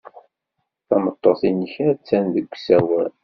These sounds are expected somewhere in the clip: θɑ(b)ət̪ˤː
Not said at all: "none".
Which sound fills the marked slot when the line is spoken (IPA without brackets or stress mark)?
m